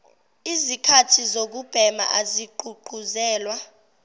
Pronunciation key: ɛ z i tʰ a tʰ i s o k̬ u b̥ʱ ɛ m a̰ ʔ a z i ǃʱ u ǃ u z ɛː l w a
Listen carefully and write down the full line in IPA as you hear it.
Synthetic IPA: i z i kʰ a tʰ i z o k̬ u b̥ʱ ɛ m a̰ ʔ a z i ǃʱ u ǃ u z ɛː l w a